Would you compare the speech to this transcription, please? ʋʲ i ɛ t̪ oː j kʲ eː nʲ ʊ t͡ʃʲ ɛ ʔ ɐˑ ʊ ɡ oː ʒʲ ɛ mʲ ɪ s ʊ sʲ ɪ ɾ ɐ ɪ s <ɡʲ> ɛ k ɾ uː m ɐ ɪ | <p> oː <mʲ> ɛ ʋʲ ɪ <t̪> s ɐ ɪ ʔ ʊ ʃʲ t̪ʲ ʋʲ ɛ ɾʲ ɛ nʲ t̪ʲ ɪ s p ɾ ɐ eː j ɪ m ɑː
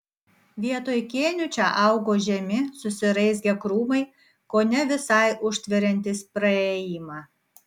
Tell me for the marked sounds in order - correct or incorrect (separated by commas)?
correct, incorrect, incorrect, incorrect